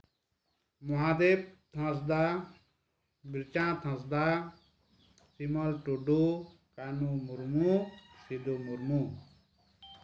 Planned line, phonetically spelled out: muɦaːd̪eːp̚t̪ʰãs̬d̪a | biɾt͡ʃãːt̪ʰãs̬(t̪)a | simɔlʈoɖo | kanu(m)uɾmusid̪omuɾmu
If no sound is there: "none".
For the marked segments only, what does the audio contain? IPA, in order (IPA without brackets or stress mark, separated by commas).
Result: d̪, m